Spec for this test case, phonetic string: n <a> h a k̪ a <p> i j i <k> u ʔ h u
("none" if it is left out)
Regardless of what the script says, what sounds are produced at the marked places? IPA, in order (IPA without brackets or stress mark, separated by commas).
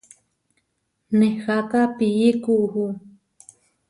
e, p, k